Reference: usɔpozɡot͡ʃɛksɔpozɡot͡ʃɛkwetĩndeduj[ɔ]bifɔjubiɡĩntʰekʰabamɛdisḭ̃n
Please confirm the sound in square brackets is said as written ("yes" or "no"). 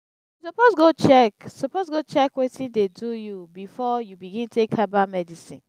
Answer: no